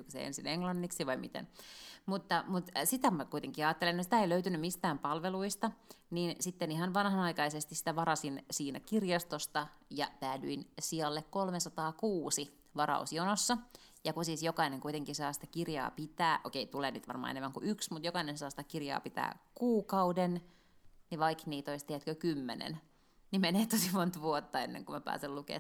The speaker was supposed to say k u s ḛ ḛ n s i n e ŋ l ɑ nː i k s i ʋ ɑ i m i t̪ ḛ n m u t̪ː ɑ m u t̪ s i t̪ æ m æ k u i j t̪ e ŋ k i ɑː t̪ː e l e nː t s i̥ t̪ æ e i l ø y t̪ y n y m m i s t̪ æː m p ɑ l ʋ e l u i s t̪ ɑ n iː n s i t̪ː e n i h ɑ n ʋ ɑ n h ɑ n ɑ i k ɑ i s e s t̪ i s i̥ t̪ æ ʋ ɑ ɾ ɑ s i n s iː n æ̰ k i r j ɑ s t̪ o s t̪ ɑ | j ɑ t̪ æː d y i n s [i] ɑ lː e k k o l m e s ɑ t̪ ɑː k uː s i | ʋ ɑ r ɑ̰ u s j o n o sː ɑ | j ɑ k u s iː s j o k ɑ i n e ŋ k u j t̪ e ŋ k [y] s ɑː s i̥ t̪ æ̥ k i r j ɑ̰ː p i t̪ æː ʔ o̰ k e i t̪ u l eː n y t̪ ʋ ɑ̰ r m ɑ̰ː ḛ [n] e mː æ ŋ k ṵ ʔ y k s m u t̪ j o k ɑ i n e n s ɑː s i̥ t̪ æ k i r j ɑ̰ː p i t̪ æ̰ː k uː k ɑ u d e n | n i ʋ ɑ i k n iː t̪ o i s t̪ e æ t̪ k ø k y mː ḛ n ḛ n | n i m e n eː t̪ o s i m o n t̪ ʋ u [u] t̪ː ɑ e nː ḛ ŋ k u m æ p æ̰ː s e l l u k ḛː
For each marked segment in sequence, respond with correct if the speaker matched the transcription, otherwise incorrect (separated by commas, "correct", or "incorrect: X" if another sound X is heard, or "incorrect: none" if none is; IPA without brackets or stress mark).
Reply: correct, incorrect: i, correct, incorrect: o